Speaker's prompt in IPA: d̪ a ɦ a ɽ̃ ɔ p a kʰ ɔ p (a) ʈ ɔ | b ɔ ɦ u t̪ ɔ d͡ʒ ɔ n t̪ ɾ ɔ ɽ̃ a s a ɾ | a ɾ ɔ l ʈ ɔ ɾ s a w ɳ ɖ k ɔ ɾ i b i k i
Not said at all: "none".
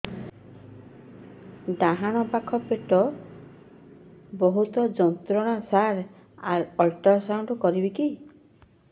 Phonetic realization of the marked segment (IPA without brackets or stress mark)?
e